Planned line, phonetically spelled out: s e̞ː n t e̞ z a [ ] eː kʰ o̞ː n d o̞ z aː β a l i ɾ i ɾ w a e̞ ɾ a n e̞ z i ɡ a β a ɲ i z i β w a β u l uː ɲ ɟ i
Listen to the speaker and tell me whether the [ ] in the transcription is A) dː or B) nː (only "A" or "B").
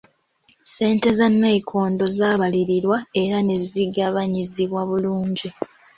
B